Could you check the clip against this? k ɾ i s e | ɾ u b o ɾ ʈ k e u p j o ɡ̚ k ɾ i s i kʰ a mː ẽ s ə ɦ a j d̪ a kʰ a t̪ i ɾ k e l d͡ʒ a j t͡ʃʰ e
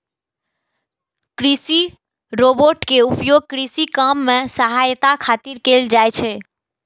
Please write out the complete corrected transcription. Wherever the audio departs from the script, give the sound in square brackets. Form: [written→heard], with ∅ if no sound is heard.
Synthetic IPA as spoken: k ɾ i s [e→i] | ɾ [u→o] b o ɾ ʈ k e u p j o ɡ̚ k ɾ i s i [kʰ→k] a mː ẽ s ə ɦ a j [d̪→t̪] a kʰ a t̪ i ɾ k e l d͡ʒ a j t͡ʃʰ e